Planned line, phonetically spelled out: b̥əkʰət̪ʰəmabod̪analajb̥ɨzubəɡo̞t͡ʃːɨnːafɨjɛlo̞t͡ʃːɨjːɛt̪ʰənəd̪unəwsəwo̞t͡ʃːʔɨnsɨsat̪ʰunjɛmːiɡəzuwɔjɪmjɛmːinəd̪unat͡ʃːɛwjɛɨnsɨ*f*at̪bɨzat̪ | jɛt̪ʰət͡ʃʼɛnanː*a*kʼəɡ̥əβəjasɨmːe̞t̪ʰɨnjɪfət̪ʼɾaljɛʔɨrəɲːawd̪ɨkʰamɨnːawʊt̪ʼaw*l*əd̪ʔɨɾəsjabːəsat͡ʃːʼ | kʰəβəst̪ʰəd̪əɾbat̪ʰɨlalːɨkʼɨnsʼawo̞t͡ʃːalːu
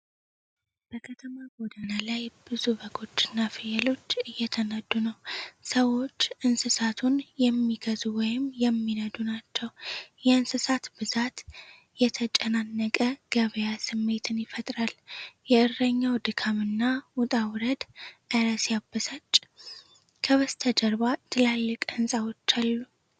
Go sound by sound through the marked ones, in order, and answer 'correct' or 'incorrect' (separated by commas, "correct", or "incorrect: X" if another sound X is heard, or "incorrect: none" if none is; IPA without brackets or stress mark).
incorrect: s, incorrect: ə, incorrect: ɾ